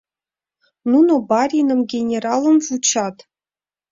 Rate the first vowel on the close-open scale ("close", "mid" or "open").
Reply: close